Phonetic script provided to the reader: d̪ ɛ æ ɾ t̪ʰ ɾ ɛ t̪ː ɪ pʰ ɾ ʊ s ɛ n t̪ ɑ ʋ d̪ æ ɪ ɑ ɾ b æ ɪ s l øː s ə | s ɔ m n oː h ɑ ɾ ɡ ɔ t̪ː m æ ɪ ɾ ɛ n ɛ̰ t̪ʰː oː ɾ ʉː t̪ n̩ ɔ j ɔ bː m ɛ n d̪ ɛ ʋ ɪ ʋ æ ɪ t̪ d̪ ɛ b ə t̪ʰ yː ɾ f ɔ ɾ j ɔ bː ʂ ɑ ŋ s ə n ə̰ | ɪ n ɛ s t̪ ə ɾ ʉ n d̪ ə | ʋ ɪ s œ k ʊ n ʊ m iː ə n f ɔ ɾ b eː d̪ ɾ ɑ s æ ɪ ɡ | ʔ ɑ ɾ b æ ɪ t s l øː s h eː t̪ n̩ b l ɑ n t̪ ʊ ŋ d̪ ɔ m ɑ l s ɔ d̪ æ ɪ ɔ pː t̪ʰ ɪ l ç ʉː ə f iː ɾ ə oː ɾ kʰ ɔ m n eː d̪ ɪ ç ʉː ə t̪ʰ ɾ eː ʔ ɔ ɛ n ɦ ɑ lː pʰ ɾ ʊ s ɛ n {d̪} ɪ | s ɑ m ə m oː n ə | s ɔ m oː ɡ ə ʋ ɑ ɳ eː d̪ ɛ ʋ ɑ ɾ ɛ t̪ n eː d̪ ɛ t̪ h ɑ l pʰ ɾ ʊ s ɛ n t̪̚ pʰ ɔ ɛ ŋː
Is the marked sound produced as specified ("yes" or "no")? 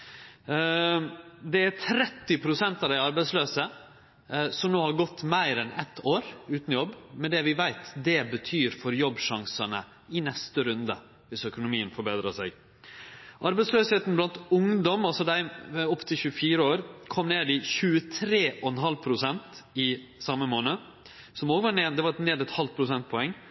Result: no